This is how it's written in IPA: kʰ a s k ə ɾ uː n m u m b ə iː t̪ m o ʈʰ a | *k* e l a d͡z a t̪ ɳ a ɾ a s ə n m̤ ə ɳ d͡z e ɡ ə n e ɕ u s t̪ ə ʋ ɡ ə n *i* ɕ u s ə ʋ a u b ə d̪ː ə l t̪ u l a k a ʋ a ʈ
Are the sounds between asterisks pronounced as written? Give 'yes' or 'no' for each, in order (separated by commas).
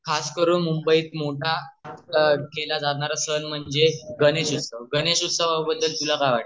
yes, no